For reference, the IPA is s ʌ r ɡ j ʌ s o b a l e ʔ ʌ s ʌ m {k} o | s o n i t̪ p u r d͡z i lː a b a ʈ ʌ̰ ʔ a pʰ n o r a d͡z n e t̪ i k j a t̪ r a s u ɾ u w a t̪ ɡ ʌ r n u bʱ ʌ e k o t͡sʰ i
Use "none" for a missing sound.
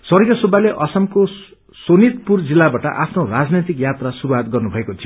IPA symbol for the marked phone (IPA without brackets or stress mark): k